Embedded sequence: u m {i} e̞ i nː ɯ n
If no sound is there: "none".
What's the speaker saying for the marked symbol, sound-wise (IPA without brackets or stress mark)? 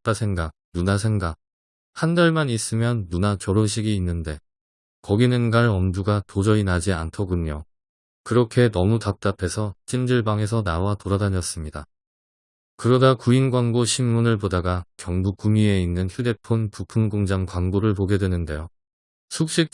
i